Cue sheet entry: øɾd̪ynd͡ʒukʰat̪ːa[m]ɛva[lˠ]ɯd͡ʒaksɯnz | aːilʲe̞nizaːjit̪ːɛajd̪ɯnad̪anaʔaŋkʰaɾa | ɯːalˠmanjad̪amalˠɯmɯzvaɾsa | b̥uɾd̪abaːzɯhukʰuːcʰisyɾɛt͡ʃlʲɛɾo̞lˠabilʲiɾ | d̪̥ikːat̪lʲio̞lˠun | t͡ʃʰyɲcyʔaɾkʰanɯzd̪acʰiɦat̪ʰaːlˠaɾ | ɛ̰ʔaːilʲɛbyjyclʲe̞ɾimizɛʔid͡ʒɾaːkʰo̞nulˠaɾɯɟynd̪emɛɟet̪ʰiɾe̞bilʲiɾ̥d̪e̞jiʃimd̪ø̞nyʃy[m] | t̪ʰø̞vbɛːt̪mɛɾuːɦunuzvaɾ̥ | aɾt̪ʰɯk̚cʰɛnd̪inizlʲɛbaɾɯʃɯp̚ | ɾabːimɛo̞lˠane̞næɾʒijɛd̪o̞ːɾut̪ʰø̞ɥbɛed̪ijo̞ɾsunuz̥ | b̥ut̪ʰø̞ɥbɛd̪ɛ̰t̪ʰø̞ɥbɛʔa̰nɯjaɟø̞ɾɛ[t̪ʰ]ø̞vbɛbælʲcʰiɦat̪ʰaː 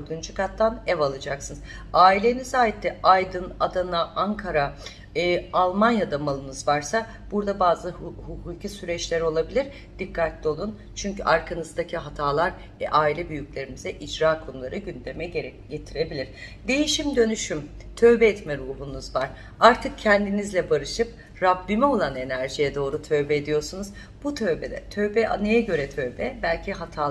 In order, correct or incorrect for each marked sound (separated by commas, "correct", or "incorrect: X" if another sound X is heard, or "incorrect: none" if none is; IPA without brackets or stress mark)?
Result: incorrect: n, correct, correct, correct